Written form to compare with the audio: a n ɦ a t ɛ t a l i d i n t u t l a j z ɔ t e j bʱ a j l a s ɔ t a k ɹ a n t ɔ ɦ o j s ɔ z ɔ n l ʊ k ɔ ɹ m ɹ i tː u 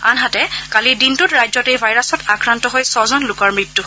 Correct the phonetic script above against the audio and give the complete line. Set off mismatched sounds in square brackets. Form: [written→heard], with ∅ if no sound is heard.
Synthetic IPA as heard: a n ɦ a t ɛ [t→k] a l i d i n t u t [l→ɹ] a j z ɔ t e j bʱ a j [l→ɹ] a s ɔ t a k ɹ a n t ɔ ɦ o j s ɔ z ɔ n l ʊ k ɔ ɹ m ɹ i tː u